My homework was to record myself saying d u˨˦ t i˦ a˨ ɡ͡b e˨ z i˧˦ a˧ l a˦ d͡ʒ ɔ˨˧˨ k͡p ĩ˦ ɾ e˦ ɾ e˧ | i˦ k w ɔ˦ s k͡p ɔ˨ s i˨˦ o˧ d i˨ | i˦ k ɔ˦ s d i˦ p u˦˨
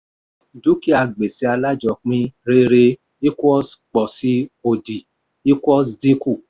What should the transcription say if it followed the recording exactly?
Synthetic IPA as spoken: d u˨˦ k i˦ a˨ ɡ͡b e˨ s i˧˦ a˧ l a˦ d͡ʒ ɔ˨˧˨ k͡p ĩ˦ ɾ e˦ ɾ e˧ | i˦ k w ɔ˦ s k͡p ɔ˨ s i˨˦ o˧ d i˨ | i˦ k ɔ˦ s d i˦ k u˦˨